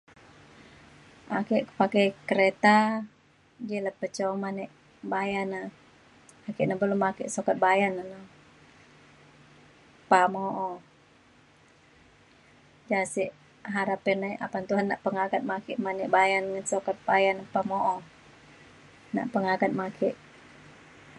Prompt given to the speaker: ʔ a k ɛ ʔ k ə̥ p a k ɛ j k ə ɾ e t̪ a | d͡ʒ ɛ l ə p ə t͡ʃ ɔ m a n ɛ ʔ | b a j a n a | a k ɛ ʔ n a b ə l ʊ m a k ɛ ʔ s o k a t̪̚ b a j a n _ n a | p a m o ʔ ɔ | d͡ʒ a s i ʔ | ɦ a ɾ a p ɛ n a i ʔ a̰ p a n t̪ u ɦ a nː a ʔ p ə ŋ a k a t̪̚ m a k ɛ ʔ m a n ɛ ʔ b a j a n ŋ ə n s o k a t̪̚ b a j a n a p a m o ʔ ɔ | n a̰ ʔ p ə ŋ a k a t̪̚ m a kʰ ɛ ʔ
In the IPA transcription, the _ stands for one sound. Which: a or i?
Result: a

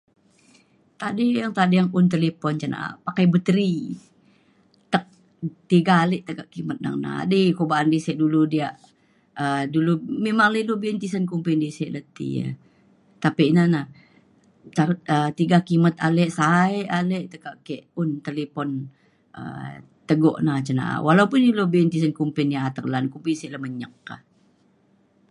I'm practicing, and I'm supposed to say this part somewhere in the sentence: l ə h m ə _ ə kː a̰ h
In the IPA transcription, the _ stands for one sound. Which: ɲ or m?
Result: ɲ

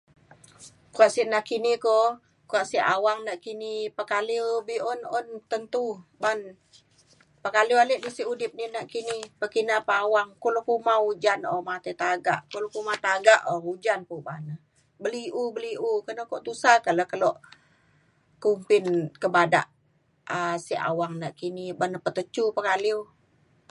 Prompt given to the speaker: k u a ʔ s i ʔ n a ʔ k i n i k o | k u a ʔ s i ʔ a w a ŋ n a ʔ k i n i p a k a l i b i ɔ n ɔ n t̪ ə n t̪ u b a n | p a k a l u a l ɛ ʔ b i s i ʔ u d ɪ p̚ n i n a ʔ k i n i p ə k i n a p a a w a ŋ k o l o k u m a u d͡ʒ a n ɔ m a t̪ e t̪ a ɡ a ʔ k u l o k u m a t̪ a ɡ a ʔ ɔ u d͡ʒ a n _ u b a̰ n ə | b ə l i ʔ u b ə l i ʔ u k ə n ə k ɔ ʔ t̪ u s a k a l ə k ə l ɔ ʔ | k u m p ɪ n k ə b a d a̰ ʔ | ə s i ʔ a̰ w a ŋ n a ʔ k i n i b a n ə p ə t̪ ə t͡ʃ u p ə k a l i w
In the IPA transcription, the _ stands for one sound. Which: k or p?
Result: p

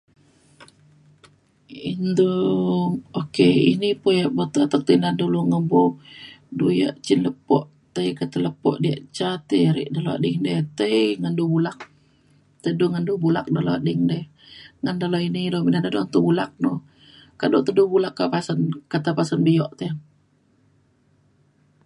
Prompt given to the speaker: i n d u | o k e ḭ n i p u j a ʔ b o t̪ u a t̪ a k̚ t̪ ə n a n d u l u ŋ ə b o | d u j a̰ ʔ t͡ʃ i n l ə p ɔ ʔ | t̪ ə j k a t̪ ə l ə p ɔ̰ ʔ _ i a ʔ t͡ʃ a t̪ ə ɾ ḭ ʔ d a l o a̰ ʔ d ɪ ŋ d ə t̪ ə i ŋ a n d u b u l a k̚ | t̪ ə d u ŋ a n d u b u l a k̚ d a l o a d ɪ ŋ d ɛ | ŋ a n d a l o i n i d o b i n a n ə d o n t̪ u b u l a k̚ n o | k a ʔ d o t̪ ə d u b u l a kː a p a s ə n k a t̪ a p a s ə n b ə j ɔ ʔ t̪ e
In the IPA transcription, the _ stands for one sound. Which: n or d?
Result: d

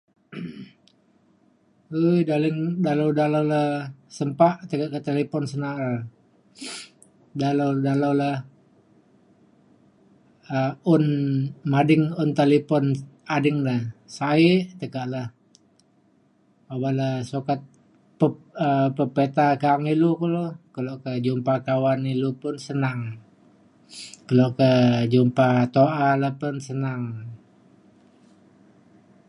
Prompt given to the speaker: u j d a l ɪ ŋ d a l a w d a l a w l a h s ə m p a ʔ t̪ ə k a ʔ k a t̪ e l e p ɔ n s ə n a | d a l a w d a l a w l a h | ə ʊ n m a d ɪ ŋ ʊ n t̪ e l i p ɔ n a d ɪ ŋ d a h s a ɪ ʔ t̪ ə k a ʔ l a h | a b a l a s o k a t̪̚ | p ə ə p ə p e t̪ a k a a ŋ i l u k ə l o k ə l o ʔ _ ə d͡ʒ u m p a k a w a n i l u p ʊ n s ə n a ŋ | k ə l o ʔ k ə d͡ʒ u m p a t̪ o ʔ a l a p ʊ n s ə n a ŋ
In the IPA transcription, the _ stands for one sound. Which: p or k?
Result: k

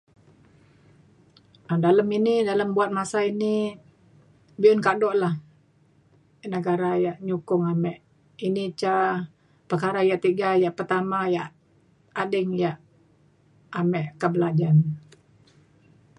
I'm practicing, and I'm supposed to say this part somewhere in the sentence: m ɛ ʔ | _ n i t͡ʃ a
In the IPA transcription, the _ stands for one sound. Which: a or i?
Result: i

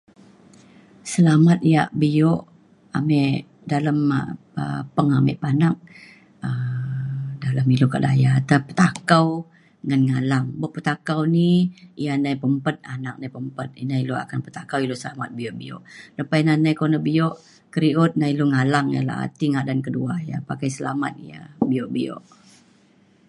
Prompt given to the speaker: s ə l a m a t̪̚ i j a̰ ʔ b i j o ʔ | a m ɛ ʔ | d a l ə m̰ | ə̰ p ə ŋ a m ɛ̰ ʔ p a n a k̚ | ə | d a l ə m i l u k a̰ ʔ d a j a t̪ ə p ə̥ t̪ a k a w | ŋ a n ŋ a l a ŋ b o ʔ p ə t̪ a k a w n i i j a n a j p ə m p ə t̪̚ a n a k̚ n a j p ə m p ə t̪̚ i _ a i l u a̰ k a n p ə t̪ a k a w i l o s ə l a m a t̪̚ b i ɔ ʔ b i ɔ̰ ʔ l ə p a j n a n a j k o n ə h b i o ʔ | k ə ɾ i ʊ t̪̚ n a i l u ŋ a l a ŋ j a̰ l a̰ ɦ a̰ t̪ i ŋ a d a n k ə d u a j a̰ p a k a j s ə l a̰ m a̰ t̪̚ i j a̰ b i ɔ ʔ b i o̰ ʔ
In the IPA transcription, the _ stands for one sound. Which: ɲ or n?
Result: n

